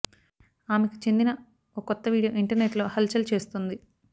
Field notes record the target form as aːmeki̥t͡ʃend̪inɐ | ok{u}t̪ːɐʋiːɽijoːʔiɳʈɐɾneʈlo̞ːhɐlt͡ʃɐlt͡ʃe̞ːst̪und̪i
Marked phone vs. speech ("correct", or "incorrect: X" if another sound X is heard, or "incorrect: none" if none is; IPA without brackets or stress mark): incorrect: ɔ